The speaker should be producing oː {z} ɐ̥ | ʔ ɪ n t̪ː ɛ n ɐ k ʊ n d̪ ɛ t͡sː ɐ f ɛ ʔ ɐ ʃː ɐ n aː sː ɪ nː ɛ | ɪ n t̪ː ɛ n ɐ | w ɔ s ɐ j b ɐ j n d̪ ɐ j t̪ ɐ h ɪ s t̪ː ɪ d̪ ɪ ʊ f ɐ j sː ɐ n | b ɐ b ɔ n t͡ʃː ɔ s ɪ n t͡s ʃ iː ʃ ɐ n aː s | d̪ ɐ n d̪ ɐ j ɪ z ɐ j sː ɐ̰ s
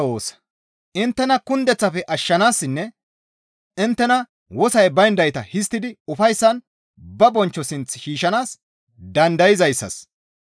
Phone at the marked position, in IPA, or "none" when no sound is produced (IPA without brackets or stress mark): s